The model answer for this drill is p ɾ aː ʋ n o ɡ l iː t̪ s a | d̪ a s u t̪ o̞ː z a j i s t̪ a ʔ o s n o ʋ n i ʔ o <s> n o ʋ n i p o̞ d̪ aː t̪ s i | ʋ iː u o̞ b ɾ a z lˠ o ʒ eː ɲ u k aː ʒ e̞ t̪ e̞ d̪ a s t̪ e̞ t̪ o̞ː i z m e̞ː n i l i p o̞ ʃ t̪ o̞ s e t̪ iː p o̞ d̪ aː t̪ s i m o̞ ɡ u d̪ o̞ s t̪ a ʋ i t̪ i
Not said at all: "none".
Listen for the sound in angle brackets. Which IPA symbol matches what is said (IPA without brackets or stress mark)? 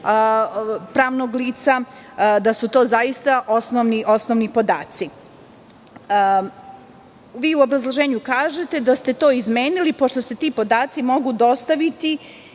s